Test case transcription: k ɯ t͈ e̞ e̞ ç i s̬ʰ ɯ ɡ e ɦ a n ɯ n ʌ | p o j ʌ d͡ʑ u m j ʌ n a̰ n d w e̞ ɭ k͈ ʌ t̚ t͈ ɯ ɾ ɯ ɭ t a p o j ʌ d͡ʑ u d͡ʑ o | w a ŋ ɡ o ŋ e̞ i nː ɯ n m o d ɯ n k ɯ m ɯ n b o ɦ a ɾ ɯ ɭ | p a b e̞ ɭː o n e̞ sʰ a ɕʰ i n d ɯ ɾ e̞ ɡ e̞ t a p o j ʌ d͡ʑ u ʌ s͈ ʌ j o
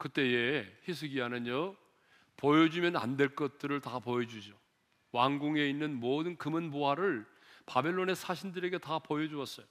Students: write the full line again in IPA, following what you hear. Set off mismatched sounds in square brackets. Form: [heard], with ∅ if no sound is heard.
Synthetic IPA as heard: k ɯ t͈ e̞ e̞ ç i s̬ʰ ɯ ɡ [i] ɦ a n ɯ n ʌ | p o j ʌ d͡ʑ u m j ʌ n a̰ n d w e̞ ɭ k͈ ʌ t̚ t͈ ɯ ɾ ɯ ɭ t a p o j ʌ d͡ʑ u d͡ʑ o | w a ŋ ɡ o ŋ e̞ i nː ɯ n m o d ɯ n k ɯ m ɯ n b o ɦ a ɾ ɯ ɭ | p a b e̞ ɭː o n e̞ sʰ a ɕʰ i n d ɯ ɾ e̞ ɡ e̞ t a p o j ʌ d͡ʑ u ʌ s͈ ʌ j o